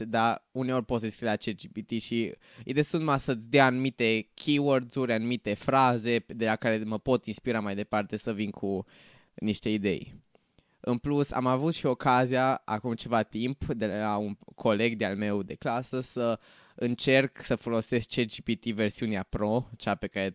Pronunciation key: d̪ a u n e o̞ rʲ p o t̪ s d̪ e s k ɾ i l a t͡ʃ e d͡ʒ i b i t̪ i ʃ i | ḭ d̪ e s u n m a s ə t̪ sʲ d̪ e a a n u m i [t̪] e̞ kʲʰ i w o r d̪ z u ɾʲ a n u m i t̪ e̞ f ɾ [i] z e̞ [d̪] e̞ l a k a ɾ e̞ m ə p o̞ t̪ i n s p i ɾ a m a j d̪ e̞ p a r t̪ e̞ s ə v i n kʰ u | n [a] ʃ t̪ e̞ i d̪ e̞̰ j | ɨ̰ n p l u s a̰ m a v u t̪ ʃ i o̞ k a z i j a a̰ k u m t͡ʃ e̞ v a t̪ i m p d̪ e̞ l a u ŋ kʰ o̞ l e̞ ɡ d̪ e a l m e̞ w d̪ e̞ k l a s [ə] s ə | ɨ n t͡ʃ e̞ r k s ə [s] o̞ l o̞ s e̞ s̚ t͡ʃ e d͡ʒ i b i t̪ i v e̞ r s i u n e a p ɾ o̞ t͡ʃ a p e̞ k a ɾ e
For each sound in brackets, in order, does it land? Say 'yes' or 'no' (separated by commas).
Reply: yes, no, yes, no, yes, no